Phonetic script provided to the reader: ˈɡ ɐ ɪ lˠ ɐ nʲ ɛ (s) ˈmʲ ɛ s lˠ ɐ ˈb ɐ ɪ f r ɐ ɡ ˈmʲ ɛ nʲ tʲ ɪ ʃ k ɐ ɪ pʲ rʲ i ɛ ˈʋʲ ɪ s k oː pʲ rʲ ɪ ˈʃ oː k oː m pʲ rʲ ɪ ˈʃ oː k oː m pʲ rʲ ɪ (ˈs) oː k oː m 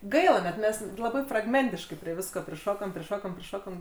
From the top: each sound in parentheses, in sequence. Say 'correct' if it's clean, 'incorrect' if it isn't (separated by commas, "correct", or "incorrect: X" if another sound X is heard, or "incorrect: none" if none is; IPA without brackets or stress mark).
incorrect: t, incorrect: ʃ